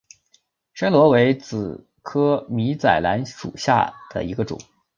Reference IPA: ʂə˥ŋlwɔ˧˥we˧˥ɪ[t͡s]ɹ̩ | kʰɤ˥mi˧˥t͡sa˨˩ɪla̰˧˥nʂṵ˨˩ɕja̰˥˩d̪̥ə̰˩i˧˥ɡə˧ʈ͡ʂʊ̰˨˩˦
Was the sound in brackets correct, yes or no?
yes